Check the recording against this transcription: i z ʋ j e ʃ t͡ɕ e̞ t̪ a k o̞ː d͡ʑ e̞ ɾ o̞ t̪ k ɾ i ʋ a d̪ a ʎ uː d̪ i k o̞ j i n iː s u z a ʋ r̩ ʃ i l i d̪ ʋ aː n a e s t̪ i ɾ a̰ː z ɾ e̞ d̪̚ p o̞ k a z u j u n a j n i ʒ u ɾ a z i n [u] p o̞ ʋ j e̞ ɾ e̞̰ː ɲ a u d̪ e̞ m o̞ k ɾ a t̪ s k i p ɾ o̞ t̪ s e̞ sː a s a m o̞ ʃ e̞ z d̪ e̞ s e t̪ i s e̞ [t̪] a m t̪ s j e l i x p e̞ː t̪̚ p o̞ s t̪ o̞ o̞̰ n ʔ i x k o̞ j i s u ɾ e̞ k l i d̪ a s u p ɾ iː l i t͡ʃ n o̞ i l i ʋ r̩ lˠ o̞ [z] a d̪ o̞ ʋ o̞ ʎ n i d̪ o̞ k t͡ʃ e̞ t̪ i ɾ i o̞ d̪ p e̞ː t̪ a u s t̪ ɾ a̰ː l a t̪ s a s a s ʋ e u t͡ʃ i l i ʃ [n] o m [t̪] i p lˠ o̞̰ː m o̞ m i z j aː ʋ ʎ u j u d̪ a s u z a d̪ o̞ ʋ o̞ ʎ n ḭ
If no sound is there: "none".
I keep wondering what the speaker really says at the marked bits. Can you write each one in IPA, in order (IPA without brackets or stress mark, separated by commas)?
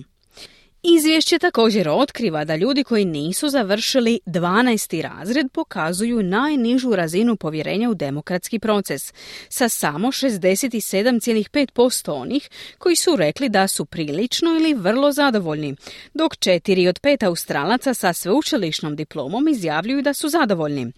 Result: u, d̪, z, n, d̪